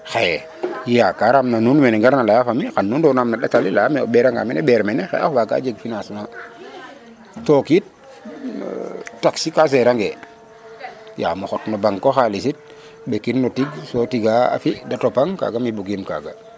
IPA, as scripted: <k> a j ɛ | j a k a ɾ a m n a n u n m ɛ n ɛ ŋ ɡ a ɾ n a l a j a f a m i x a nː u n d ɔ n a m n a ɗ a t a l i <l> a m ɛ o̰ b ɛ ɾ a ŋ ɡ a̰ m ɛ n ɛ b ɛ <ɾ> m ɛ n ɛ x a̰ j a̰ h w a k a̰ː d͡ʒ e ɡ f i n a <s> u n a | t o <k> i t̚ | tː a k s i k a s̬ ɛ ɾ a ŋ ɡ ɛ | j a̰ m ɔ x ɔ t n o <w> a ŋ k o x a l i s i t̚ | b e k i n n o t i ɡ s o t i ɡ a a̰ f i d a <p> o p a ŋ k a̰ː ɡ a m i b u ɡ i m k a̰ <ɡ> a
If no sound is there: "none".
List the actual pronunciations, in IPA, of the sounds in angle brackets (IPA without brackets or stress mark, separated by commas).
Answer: x, l, ɾ, s, k, b, t, ɡ